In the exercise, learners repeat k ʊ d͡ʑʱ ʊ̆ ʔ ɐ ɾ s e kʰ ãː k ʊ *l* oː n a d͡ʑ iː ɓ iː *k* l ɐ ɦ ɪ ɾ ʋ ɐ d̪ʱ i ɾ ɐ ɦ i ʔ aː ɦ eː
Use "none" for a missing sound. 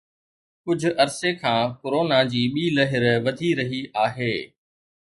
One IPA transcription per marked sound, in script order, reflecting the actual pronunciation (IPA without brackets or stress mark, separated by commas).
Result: ɾ, none